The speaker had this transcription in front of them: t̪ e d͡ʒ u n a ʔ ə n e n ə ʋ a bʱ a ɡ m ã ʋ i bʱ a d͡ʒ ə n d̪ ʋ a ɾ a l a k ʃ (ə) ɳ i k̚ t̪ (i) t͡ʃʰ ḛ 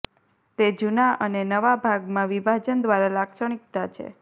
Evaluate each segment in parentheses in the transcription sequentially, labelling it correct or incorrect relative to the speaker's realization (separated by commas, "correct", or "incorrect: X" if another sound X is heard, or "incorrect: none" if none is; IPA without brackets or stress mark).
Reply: correct, incorrect: a